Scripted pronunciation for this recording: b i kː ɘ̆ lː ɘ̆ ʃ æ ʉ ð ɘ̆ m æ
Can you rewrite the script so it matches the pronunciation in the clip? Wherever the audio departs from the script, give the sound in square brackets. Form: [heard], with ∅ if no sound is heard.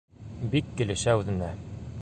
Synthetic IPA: b i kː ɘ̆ [l] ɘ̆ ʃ æ ʉ ð ɘ̆ [n] æ